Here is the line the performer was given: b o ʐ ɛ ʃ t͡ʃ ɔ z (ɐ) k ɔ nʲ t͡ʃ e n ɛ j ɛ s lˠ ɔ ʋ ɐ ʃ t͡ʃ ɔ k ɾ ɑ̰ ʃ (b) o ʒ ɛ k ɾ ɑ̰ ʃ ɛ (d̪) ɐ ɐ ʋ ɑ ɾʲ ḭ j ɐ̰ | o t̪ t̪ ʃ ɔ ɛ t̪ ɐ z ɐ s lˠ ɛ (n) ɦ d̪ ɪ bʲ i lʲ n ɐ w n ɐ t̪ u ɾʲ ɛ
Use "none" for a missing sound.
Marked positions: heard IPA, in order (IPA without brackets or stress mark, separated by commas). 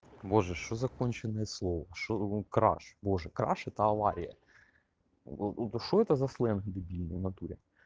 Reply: ɐ, b, t̪, n